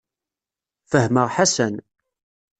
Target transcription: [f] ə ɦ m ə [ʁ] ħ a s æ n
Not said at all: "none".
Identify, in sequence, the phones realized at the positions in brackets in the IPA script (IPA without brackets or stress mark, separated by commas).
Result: f, ʁ